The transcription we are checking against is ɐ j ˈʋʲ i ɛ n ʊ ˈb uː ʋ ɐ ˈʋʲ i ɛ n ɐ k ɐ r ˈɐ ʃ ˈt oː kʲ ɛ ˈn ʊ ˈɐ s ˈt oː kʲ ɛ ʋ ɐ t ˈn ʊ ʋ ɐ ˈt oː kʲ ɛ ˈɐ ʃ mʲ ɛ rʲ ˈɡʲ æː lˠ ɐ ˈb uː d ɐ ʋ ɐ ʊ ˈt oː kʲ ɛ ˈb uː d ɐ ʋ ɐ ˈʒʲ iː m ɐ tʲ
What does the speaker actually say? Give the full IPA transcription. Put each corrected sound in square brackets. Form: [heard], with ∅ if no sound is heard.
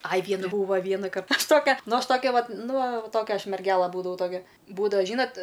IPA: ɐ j ˈʋʲ i ɛ n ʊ ˈb uː ʋ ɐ ˈʋʲ i ɛ n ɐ k ɐ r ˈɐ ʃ ˈt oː kʲ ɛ ˈn ʊ ˈɐ [ʃ] ˈt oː kʲ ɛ ʋ ɐ t ˈn ʊ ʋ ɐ ˈt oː kʲ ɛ ˈɐ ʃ mʲ ɛ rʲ ˈɡʲ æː lˠ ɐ ˈb uː d ɐ ʋ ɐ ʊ ˈt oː kʲ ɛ ˈb uː d ɐ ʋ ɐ ˈʒʲ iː [n] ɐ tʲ